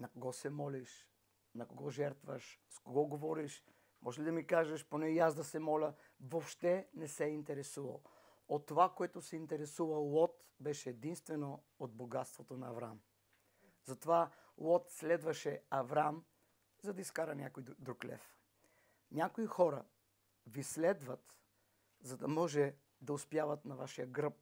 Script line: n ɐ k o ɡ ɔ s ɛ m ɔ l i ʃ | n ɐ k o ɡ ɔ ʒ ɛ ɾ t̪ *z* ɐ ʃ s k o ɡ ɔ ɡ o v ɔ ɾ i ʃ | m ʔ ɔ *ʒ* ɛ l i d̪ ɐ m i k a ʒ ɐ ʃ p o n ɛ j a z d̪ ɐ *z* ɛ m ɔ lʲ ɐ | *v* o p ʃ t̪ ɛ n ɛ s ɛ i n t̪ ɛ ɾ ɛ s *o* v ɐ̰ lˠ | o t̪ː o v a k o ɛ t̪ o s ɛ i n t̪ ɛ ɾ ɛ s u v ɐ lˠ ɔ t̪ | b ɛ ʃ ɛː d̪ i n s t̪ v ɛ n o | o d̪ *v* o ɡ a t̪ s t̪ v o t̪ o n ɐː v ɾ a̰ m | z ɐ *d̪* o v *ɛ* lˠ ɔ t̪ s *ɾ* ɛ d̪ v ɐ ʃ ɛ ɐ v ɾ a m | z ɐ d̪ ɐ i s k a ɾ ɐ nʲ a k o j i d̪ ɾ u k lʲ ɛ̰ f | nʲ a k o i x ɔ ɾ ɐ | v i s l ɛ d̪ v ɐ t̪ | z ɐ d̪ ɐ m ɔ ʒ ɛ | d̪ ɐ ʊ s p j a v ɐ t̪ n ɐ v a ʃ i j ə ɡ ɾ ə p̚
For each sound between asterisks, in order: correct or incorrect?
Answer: incorrect: v, correct, incorrect: s, correct, incorrect: u, incorrect: b, incorrect: t̪, incorrect: a, incorrect: l

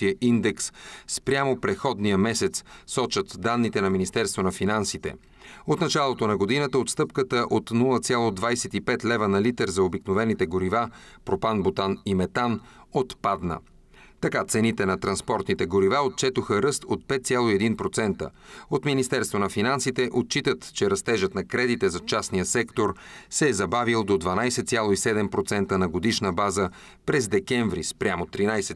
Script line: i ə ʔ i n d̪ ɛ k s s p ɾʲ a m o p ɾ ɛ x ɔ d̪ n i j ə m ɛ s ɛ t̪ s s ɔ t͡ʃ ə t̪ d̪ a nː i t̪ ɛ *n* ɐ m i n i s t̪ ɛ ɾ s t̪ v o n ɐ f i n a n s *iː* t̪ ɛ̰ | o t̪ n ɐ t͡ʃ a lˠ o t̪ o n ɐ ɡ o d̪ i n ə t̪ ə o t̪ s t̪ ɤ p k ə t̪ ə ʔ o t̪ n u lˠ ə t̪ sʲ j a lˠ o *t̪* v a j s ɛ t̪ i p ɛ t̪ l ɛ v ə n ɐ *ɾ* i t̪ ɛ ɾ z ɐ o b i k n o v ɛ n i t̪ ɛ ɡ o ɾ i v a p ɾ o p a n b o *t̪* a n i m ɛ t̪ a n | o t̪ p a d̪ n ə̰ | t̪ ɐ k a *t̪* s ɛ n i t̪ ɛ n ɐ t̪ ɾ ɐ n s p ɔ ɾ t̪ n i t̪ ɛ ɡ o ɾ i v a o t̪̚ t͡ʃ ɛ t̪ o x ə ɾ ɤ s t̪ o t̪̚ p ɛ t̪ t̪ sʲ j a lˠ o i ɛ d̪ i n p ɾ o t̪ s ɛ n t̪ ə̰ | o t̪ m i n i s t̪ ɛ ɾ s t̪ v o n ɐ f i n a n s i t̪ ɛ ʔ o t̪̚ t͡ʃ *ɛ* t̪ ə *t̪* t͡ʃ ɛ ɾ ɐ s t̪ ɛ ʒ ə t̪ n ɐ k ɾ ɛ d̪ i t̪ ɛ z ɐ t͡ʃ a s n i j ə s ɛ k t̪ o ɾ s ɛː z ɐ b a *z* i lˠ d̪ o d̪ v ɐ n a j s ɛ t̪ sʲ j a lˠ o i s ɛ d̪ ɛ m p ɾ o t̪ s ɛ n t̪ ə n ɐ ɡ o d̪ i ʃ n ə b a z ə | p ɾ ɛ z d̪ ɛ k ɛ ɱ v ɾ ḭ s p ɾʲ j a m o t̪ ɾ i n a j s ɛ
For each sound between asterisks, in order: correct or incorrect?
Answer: correct, incorrect: i, incorrect: d̪, incorrect: l, correct, correct, incorrect: i, correct, incorrect: v

